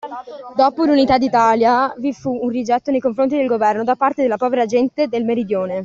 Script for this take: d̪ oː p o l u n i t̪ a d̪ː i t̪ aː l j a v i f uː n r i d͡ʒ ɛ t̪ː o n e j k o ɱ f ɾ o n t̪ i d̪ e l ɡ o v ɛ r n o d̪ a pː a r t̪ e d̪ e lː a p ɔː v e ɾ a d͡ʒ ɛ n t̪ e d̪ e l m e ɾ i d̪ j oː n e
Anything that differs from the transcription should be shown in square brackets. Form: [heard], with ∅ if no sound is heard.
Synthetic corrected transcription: d̪ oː p o l u n i t̪ a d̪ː i t̪ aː l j a v i f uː n r i d͡ʒ ɛ t̪ː o n e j k o ɱ f ɾ o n t̪ i d̪ e l ɡ o v ɛ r n o d̪ a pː a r t̪ e d̪ e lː a p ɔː v e ɾ a d͡ʒ ɛ n t̪ e d̪ e l m e ɾ i d̪ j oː n e

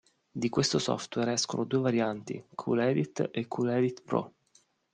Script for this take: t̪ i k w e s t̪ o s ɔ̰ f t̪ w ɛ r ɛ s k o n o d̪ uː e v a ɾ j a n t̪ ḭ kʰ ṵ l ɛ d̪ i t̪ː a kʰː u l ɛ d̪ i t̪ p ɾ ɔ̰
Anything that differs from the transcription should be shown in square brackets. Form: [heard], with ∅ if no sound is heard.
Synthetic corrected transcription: [d̪] i k w e s t̪ o s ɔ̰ f t̪ w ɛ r ɛ s k o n o d̪ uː e v a ɾ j a n t̪ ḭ kʰ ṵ l ɛ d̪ i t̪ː [e] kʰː u l ɛ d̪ i t̪ p ɾ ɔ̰

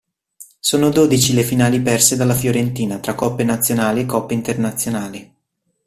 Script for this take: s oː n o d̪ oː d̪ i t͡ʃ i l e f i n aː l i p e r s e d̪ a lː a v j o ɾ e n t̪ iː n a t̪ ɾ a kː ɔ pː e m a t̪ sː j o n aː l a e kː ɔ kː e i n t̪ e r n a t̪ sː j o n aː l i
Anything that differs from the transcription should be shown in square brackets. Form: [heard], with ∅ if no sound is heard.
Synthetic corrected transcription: s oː n o d̪ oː d̪ i t͡ʃ i l e f i n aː l i p [ɛ] r s e d̪ a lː a [f] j o ɾ e n t̪ iː n a t̪ ɾ a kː ɔ pː e [n] a t̪ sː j o n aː l [i] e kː ɔ [pː] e i n t̪ e r n a t̪ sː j o n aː l i

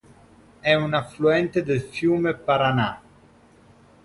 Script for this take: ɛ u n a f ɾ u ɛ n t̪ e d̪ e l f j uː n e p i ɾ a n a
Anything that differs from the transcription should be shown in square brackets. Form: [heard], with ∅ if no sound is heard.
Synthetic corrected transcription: ɛ u n a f [l] u ɛ n t̪ e d̪ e l f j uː [m] e p [a] ɾ a n a

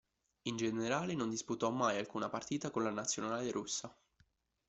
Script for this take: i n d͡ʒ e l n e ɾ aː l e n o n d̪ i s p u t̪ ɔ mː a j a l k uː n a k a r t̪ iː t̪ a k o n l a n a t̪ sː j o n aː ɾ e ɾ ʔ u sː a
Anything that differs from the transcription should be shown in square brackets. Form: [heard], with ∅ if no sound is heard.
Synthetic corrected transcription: i n d͡ʒ e [∅] n e ɾ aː l e n o n d̪ i s p u t̪ ɔ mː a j a l k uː n a [p] a r t̪ iː t̪ a k o n l a n a t̪ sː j o n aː [l] e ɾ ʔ u sː a

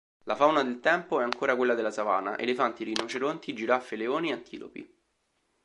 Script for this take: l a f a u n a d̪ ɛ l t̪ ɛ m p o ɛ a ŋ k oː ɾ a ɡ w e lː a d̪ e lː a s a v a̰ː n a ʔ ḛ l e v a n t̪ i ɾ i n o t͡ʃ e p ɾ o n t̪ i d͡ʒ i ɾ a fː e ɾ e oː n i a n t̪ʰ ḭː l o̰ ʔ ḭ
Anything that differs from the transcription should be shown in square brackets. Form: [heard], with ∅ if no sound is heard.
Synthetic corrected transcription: l a f a [w] n a d̪ [e] l t̪ ɛ m p o ɛ a ŋ k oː ɾ a [k] w e lː a d̪ e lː a s a v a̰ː n a ʔ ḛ l e [f] a n t̪ i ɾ i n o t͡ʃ e [∅] ɾ o n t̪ i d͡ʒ i ɾ a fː e [l] e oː n i a n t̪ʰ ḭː l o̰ [p] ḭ

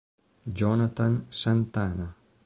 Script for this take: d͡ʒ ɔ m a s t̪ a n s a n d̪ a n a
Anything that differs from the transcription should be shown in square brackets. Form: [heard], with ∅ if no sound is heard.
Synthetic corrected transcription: d͡ʒ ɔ [n] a [∅] t̪ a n s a n [t̪] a n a

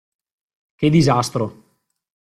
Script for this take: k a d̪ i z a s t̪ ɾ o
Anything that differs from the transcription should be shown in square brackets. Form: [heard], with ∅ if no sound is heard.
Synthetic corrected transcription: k [e] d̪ i z a s t̪ ɾ o

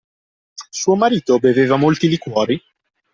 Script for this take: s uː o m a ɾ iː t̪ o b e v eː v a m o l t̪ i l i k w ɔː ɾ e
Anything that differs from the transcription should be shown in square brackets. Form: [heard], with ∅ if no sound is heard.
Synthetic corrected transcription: s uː o m a ɾ iː t̪ o b e v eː v a m o l t̪ i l i k w ɔː ɾ [i]

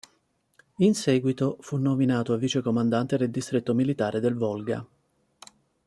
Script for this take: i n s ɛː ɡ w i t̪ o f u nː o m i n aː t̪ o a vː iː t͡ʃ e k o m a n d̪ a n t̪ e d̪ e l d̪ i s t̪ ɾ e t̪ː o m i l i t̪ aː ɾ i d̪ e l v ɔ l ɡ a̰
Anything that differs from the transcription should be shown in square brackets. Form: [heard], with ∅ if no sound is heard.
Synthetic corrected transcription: i n s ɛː ɡ w i t̪ o f u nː o m i n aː t̪ o a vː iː t͡ʃ e k o m a n d̪ a n t̪ e d̪ e l d̪ i s t̪ ɾ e t̪ː o m i l i t̪ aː ɾ [e] d̪ e l v ɔ l ɡ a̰

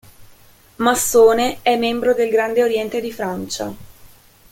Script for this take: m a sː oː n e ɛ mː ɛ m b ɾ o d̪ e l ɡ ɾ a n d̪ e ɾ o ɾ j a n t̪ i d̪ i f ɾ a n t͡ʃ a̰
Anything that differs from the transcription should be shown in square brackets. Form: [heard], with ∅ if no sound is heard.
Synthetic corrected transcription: m a sː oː n e ɛ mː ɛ m b ɾ o d̪ e l ɡ ɾ a n d̪ e [∅] o ɾ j [ɛ] n t̪ [e] d̪ i f ɾ a n t͡ʃ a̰

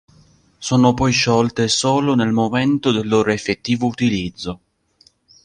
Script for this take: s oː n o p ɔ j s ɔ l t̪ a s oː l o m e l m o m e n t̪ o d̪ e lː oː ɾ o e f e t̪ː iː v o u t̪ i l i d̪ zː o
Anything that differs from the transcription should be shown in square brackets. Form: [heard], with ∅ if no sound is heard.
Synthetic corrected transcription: s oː n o p ɔ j [ʃ] ɔ l t̪ [e] s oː l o [n] e l m o m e n t̪ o d̪ e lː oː ɾ o e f e t̪ː iː v o u t̪ i l i d̪ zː o

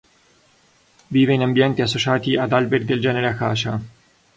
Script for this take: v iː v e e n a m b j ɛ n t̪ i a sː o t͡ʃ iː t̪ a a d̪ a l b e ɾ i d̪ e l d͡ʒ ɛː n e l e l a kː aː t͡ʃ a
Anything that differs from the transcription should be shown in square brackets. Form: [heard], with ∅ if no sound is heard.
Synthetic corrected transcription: v iː v e [i] n a m b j ɛ n t̪ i a sː o t͡ʃ [aː] t̪ [i] a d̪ a l b e ɾ i d̪ e l d͡ʒ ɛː n e [ɾ] e [∅] a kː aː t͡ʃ a

